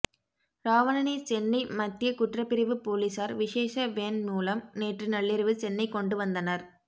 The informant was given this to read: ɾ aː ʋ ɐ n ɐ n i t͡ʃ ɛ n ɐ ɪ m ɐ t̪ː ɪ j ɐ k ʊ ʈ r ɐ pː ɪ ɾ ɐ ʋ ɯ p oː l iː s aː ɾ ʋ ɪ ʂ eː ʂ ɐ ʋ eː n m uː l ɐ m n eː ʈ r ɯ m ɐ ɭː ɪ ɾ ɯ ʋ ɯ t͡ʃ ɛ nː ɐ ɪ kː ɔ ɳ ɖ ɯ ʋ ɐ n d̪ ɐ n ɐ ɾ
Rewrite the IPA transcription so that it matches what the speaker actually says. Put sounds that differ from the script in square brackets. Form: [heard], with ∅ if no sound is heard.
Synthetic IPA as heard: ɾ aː ʋ ɐ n ɐ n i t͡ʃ ɛ [nː] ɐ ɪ m ɐ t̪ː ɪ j ɐ k ʊ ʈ r ɐ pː ɪ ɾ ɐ ʋ ɯ p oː l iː s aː ɾ ʋ ɪ ʂ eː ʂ ɐ ʋ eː n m uː l ɐ m n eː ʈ r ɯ [n] ɐ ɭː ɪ ɾ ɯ ʋ ɯ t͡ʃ ɛ nː ɐ ɪ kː ɔ ɳ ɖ ɯ ʋ ɐ n d̪ ɐ n ɐ ɾ